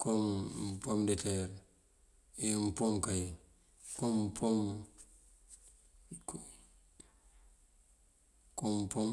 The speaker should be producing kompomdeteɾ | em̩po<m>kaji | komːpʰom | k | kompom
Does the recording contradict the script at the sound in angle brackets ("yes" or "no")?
no